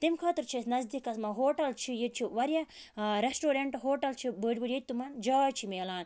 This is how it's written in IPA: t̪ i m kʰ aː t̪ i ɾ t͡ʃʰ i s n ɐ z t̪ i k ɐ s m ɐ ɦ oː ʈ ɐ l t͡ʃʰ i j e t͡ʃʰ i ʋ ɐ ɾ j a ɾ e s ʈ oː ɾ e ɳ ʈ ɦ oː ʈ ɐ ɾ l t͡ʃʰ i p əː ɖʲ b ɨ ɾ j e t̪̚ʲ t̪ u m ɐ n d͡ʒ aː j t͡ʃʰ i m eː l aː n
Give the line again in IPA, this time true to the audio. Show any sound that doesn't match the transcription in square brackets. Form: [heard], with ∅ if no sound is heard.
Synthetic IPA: t̪ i m kʰ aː t̪ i ɾ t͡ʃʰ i s n ɐ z [d̪] i k ɐ s m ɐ ɦ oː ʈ ɐ l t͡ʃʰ i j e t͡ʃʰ i ʋ ɐ ɾ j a ɾ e s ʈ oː ɾ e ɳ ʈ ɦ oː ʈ ɐ [∅] l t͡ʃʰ i [b] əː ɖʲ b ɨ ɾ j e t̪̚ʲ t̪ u m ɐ n d͡ʒ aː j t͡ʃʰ i m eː l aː n

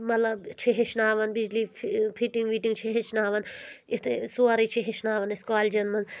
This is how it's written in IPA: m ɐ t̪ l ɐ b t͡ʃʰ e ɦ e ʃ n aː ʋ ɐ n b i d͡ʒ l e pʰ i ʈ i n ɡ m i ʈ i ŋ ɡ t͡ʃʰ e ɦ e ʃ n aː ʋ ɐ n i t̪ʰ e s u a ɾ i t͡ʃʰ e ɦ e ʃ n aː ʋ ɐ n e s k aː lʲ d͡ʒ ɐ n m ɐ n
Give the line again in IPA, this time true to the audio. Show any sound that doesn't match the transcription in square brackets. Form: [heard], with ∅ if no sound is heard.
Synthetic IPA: m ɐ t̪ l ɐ b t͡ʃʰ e ɦ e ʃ n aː ʋ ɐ n b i d͡ʒ l [i] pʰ i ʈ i [ŋ] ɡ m i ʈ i ŋ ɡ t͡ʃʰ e ɦ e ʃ n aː ʋ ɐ n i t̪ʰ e s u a ɾ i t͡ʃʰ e ɦ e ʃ n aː ʋ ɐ n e s k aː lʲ d͡ʒ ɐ n m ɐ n

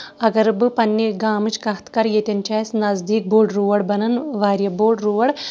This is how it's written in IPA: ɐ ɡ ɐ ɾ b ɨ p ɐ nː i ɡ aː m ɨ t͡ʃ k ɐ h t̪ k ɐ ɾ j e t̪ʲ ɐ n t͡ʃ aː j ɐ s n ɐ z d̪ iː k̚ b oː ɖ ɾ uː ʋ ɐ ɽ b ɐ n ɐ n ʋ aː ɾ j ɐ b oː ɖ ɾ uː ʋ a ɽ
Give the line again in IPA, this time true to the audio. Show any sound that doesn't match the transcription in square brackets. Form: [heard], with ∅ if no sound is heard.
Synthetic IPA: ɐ ɡ ɐ ɾ b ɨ p ɐ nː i ɡ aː m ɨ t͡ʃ k ɐ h t̪ k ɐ ɾ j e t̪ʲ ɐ n t͡ʃ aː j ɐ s n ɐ z d̪ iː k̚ b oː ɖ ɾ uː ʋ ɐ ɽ b ɐ n ɐ n ʋ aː ɾ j ɐ b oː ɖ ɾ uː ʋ [ɐ] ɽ

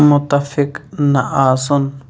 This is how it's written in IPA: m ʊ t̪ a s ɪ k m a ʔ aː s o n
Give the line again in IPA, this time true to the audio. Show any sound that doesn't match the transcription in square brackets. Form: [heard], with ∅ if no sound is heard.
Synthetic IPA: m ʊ t̪ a [f] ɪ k [n] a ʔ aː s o n

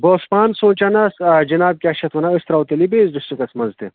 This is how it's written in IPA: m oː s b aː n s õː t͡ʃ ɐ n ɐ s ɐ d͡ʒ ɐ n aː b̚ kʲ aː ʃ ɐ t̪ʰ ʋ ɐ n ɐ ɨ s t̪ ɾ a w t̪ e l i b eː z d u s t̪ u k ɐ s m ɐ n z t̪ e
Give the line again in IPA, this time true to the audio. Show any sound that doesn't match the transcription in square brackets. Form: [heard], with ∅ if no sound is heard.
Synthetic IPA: [b] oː s [p] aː n s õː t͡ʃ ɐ n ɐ s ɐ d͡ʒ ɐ n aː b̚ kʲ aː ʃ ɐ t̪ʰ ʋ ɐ n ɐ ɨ s t̪ ɾ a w t̪ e l i b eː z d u s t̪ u k ɐ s m ɐ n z t̪ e

